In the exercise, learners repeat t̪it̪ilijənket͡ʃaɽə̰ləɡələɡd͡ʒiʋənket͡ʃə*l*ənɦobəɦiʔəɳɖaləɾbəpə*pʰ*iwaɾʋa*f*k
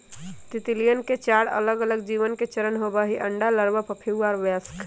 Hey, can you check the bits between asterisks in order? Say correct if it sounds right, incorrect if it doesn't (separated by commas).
incorrect, correct, incorrect